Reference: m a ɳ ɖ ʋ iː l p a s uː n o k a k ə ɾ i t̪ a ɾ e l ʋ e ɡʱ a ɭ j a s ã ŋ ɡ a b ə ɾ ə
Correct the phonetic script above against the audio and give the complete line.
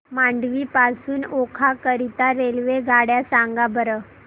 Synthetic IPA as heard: m a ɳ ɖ ʋ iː p a s uː n o kʰ a k ə ɾ i t̪ a ɾ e l ʋ e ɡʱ a ɽ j a s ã ŋ ɡ a b ə ɾ ə